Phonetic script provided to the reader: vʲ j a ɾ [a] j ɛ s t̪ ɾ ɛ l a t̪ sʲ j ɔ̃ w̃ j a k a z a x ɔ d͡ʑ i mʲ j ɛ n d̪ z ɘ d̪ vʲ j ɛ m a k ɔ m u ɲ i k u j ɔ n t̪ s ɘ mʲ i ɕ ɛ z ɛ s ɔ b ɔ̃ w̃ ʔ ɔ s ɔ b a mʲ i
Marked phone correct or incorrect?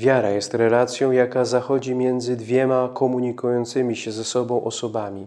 correct